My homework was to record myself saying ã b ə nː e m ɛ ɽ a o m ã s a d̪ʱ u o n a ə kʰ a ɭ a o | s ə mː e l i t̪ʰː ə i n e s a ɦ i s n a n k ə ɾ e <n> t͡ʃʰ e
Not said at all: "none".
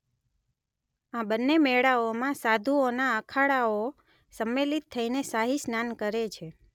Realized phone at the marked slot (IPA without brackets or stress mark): none